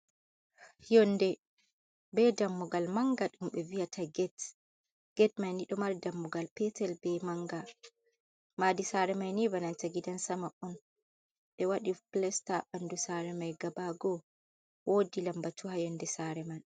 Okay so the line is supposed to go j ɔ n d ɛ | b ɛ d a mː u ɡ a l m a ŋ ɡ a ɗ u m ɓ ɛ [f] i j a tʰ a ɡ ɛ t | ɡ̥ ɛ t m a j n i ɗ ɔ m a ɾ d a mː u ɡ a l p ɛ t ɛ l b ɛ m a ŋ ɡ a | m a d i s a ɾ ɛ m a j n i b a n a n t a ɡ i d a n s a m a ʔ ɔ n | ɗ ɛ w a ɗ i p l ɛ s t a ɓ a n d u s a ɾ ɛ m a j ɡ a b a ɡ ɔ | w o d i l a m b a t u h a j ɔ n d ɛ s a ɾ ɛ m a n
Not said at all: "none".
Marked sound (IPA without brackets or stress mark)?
v